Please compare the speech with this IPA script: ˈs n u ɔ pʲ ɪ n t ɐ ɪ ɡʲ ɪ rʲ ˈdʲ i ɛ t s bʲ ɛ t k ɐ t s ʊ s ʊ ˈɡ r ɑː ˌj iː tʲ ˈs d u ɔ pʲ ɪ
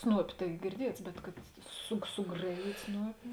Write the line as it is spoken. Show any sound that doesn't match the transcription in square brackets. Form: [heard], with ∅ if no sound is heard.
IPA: ˈs n u ɔ pʲ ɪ [∅] t ɐ ɪ ɡʲ ɪ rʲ ˈdʲ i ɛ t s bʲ ɛ t k ɐ t s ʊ s ʊ ˈɡ r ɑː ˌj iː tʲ ˈs [n] u ɔ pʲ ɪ